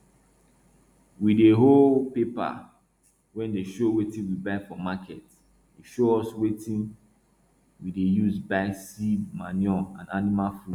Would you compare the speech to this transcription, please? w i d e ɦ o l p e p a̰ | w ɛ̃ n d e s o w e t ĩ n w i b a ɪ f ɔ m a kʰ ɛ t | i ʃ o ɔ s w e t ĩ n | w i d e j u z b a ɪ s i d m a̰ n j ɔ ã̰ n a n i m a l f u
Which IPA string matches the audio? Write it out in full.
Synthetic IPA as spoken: w i d e ɦ o l p e p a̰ | w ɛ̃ n d e ʃ o w e t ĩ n w i b a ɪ f ɔ m a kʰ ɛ t | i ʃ o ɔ s w e t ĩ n | w i d e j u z b a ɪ s i d m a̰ n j ɔ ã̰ n a n i m a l f u